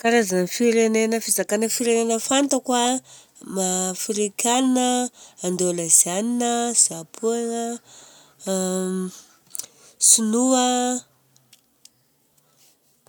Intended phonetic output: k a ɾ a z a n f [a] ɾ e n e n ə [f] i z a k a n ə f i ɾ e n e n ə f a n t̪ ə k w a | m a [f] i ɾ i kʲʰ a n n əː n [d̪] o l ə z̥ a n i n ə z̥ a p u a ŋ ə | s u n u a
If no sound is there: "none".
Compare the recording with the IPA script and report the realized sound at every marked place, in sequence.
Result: i, f, f, d̪

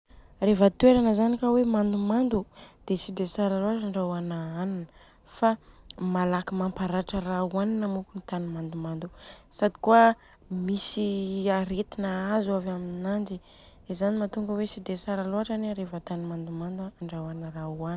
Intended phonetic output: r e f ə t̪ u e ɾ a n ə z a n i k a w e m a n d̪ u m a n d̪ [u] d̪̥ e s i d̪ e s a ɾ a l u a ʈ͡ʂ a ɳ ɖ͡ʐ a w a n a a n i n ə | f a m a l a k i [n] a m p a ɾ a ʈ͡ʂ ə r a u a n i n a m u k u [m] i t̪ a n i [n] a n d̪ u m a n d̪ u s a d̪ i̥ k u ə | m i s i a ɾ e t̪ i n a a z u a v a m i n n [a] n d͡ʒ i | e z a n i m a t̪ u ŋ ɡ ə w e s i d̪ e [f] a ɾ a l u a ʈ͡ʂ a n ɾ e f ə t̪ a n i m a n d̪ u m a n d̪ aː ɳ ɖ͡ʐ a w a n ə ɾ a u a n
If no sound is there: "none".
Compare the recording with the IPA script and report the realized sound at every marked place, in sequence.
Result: u, m, n, m, a, s

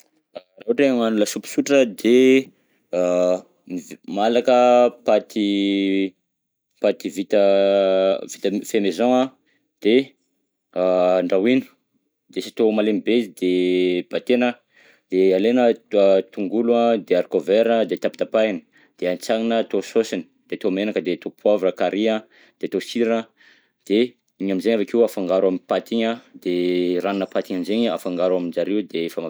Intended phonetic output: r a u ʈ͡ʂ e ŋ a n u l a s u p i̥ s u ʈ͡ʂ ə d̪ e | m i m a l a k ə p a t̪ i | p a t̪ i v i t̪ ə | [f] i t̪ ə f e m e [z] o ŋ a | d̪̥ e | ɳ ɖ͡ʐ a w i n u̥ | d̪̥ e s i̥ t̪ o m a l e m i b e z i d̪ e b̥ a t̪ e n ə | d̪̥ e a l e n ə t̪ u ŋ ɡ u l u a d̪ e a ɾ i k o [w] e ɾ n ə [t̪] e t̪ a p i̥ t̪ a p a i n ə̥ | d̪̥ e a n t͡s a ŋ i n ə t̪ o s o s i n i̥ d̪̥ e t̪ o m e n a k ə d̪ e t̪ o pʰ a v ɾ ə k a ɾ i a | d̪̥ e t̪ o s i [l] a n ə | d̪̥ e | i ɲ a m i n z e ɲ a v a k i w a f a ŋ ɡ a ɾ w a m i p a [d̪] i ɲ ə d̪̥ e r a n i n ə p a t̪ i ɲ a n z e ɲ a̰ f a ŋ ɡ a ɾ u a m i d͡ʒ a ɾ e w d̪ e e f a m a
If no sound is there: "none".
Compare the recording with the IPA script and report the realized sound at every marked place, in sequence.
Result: v, z, v, d̪, ɾ, t̪

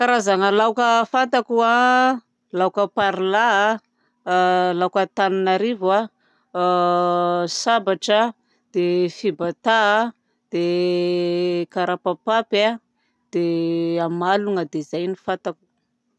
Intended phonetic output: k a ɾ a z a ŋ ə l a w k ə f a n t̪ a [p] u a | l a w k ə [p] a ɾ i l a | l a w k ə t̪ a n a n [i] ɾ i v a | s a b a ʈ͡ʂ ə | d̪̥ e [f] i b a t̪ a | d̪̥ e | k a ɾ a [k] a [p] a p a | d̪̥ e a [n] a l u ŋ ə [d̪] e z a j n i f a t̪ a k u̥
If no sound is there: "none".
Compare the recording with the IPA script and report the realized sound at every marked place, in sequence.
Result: k, p, a, f, p, p, m, d̪

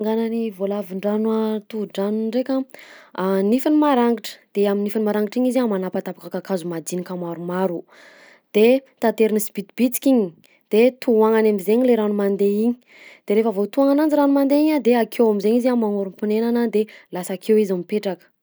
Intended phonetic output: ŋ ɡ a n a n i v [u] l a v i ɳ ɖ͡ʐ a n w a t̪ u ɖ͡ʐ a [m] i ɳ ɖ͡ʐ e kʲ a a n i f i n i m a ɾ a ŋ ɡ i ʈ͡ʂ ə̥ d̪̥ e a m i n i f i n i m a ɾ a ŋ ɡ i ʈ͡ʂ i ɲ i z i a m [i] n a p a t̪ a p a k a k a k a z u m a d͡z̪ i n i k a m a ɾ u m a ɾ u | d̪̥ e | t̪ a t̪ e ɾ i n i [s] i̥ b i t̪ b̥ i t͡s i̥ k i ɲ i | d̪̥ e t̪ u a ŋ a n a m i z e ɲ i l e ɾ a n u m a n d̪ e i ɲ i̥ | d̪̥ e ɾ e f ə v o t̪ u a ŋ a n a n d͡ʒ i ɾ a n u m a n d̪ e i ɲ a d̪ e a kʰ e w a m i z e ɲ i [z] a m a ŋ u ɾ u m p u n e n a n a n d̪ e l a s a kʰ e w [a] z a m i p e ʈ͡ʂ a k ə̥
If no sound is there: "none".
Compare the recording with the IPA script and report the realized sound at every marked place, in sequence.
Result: o, n, a, s, z, i

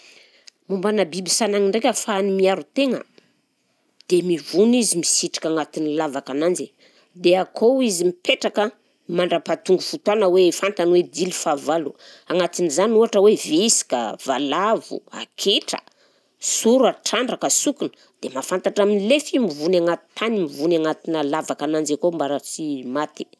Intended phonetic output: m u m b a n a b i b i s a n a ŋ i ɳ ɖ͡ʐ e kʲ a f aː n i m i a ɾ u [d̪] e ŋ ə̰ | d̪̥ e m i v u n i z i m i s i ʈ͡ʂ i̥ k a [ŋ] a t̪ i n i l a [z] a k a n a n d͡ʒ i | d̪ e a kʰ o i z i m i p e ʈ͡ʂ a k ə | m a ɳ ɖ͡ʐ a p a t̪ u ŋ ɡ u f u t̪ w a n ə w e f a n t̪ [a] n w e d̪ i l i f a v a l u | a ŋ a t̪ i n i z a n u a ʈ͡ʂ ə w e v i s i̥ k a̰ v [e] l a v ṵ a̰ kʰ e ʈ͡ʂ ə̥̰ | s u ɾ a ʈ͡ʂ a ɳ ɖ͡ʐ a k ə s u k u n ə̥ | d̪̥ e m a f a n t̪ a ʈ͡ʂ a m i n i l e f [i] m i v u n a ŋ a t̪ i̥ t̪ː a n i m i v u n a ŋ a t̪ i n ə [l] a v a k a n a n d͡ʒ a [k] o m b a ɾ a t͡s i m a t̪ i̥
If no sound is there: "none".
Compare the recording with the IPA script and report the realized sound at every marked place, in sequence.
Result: t̪, ŋ, v, a, a, i, l, k

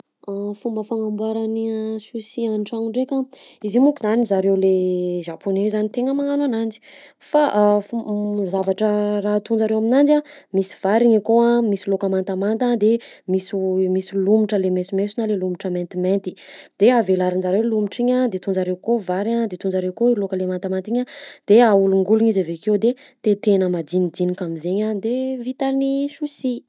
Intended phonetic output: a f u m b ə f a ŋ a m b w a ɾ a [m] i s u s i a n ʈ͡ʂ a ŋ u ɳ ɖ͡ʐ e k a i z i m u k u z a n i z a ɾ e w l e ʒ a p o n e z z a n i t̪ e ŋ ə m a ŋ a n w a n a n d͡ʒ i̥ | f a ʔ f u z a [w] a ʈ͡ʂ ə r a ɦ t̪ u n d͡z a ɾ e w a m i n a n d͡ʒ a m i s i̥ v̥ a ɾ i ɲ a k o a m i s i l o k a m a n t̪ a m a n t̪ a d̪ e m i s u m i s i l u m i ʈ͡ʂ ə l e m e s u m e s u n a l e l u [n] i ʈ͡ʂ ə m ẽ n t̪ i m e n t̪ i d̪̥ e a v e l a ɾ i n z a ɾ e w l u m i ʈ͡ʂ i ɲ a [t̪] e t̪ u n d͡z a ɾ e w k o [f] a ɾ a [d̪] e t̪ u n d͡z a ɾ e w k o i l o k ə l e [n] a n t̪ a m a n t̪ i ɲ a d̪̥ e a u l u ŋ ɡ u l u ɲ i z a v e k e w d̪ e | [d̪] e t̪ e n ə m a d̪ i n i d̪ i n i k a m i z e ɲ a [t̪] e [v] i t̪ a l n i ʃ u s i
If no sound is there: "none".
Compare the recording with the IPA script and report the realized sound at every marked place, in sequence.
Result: n, v, m, d̪, v, d̪, m, t̪, d̪, v

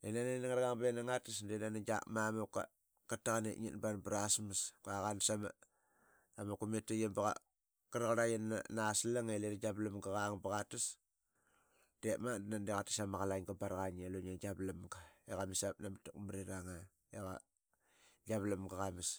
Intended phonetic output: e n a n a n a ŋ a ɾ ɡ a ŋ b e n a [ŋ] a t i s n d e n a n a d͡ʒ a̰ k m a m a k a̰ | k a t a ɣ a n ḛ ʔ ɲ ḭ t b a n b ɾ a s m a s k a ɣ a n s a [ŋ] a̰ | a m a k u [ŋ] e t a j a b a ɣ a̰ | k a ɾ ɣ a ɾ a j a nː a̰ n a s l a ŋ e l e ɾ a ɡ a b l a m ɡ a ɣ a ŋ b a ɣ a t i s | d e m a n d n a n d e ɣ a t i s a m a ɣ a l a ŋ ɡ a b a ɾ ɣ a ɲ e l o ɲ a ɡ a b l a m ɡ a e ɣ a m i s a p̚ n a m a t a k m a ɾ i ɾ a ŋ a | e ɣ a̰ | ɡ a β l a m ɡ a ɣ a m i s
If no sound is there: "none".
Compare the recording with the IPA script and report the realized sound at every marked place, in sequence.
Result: ŋ, m, m

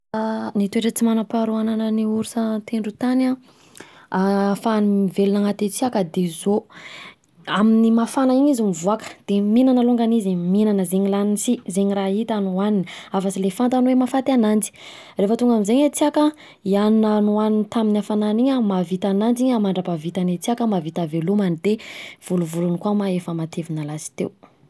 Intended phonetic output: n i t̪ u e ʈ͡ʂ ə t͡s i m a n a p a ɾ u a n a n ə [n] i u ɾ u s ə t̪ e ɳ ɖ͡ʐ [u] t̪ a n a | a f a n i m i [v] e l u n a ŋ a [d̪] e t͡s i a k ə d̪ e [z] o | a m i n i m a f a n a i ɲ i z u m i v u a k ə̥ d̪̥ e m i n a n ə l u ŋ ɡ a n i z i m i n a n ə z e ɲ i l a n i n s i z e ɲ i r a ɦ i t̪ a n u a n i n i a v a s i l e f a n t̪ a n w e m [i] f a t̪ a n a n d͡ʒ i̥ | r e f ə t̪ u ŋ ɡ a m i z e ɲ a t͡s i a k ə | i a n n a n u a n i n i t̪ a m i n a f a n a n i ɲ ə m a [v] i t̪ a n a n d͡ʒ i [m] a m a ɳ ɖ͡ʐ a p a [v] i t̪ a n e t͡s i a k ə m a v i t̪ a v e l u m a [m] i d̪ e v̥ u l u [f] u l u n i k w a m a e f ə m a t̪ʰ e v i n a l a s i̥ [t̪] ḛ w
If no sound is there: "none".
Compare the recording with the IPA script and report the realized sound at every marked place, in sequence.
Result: n, u, v, t̪, z, a, v, ɲ, v, n, v, t̪

